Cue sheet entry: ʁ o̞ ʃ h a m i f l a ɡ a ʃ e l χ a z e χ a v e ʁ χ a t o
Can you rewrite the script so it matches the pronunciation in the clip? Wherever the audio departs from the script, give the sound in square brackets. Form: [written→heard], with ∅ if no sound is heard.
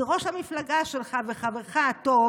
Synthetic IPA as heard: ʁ o̞ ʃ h a m i f l a ɡ a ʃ e l χ a [z→v] e χ a v e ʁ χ a t o